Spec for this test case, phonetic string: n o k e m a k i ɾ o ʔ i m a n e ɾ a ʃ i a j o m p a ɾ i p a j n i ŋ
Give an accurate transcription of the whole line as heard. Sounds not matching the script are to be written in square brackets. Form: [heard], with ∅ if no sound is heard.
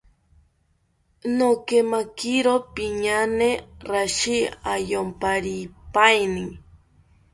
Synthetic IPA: n o k e m a k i ɾ o [p] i [ɲ] a n e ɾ a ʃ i a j o m p a ɾ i p a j n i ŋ